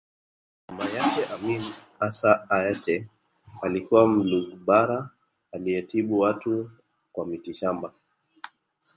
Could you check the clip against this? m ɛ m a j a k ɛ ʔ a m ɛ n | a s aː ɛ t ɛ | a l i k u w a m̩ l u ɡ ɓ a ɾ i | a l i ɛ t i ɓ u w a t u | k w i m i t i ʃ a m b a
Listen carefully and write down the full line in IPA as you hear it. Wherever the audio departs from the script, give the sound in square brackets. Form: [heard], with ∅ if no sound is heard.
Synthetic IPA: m [a] m a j a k ɛ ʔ a m [i] n | a s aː ɛ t ɛ | a l i k u w a m̩ l u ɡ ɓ a ɾ [a] | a l i ɛ t i ɓ u w a t u | k w [a] m i t i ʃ a m b a